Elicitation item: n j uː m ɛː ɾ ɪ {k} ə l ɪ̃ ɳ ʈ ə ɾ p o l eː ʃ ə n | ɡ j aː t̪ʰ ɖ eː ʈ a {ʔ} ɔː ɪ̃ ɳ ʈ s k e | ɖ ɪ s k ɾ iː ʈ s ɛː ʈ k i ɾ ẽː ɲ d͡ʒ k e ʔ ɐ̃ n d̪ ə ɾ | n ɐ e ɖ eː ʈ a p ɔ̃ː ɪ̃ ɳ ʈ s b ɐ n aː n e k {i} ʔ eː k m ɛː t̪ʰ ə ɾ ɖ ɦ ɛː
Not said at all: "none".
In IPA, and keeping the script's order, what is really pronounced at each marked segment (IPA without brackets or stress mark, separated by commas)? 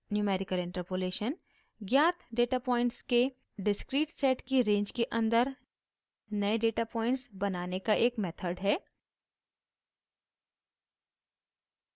k, p, a